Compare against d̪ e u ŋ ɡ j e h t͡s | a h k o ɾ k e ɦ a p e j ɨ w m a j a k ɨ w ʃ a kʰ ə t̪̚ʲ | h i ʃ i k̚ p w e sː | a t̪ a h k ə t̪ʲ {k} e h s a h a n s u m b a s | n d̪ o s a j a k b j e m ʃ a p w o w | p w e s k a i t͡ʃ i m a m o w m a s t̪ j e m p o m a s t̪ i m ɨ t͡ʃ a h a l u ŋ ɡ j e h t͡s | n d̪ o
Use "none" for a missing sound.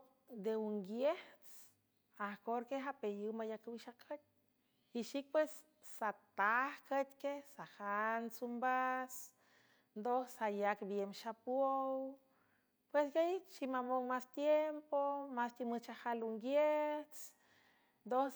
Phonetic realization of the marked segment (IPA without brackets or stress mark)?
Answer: k